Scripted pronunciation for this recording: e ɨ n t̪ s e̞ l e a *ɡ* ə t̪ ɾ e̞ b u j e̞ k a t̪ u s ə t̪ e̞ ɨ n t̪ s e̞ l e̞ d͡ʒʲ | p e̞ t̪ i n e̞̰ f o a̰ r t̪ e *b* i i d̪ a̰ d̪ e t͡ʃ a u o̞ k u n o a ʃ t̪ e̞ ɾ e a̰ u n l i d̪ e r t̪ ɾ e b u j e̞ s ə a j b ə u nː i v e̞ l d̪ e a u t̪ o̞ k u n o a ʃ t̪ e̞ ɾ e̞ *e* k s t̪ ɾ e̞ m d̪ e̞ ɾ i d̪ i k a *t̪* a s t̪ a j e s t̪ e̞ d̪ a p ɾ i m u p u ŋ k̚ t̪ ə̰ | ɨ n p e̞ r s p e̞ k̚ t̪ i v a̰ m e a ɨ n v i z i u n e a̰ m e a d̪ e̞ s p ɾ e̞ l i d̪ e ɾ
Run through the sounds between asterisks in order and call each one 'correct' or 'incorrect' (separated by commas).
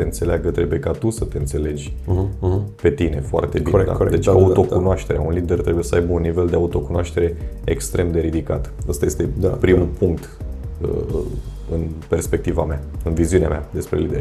correct, correct, correct, correct